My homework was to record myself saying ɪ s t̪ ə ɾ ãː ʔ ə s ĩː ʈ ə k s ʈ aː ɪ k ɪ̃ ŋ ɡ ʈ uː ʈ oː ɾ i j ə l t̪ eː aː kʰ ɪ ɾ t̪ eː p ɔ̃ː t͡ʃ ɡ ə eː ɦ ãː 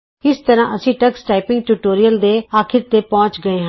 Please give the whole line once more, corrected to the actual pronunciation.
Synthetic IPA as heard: ɪ s t̪ ə ɾ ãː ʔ ə s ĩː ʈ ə k s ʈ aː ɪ p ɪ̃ ŋ ɡ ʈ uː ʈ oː ɾ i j ə l d̪ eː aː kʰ ɪ ɾ t̪ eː p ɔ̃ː t͡ʃ ɡ ə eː ɦ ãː